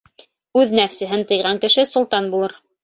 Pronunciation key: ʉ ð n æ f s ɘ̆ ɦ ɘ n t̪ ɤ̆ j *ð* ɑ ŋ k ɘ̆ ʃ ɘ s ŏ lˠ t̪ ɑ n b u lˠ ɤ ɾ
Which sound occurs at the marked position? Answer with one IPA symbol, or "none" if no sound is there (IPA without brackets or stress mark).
ʁ